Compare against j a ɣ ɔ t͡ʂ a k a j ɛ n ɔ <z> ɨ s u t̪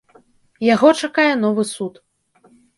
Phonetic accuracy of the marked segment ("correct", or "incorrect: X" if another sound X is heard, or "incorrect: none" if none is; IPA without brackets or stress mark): incorrect: v